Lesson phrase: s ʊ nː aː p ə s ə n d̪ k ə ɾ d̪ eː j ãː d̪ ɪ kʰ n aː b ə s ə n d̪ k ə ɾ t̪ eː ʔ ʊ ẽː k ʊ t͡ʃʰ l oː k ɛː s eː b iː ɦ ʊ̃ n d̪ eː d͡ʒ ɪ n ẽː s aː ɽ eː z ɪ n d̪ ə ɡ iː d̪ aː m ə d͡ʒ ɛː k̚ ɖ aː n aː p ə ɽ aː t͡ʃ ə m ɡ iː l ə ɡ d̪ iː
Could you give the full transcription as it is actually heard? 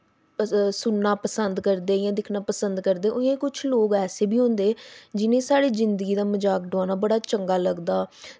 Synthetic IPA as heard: s ʊ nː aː p ə s ə n d̪ k ə ɾ d̪ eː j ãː d̪ ɪ kʰ n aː p ə s ə n d̪ k ə ɾ d̪ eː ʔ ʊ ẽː k ʊ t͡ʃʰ l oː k ɛː s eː b iː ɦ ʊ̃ n d̪ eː d͡ʒ ɪ n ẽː s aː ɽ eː z ɪ n d̪ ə ɡ iː d̪ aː m ə d͡ʒ aː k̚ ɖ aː n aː b ə ɽ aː t͡ʃ ə ŋ ɡ aː l ə ɡ d̪ aː